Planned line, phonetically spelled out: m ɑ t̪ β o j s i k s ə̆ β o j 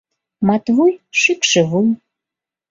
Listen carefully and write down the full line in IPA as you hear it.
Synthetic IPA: m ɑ t̪ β u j ʃ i k ʃ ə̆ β u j